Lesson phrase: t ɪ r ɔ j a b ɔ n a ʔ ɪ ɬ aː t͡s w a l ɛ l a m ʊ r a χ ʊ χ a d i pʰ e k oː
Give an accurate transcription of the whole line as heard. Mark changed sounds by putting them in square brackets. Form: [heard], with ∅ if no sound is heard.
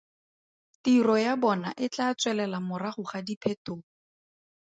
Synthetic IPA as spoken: t [i] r ɔ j a b ɔ n a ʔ ɪ [t͡ɬ] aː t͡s w [ɛ] l ɛ l a m ʊ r a χ ʊ χ a d i pʰ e [t] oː